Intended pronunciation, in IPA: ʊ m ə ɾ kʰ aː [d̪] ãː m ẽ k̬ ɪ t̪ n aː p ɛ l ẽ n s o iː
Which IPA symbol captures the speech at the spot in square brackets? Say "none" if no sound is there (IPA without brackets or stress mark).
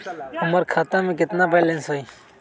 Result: t̪